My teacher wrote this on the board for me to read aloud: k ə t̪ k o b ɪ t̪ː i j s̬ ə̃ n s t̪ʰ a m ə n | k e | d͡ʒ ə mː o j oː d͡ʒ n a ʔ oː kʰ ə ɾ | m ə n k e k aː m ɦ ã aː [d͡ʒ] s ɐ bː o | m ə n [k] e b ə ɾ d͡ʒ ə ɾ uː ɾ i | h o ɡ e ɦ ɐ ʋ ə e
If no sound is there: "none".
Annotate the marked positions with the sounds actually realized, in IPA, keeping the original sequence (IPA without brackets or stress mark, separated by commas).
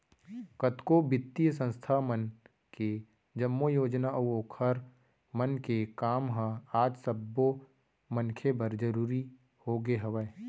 d͡ʒ, kʰ